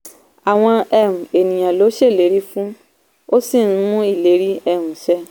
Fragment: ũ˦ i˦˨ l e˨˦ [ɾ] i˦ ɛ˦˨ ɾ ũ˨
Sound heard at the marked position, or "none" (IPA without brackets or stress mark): ɾ